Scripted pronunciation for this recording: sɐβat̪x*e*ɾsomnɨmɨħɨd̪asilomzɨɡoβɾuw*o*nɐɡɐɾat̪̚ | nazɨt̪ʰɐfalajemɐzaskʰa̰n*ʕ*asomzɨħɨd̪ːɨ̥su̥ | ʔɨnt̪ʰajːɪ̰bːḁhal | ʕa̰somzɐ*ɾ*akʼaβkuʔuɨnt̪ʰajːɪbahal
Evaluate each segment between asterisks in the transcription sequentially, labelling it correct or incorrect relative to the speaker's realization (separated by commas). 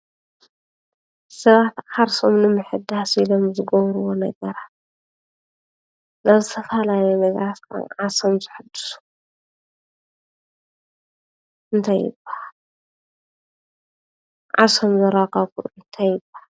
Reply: incorrect, correct, correct, correct